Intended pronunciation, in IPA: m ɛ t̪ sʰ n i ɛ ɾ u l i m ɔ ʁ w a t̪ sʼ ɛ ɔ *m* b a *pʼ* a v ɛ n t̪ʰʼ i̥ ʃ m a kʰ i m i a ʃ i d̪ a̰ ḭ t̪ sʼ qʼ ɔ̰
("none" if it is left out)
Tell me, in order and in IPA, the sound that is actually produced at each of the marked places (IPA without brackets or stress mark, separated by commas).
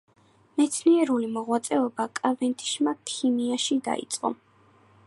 none, kʼ